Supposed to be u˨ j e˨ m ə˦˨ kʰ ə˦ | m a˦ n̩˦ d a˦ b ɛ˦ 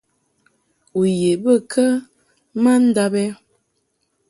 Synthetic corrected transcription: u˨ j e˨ b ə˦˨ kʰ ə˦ | m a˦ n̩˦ d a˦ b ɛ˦